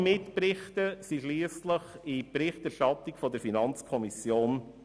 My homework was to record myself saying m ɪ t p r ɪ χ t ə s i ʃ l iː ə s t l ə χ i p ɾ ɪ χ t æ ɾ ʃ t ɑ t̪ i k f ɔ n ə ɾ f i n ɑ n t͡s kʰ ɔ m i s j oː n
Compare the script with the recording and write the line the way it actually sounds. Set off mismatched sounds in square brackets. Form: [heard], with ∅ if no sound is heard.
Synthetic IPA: m ɪ t p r ɪ χ t ə s i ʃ l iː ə s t l ə χ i p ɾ ɪ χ t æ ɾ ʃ t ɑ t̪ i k f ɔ [d] ə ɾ f i n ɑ n t͡s kʰ ɔ m i s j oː n